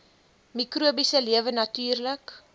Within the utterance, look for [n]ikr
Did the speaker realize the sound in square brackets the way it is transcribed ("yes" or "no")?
no